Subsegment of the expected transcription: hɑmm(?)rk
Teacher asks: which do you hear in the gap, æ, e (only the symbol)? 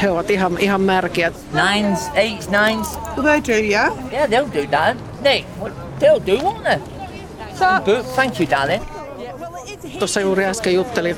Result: æ